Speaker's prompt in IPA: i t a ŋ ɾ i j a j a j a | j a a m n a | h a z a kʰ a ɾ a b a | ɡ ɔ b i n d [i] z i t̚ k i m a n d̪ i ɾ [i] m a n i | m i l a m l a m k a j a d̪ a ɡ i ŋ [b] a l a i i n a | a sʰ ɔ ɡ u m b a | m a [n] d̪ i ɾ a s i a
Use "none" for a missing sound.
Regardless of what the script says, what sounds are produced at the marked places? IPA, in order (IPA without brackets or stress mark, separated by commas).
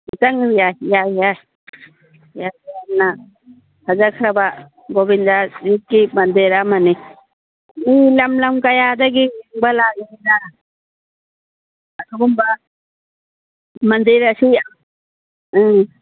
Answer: a, a, b, n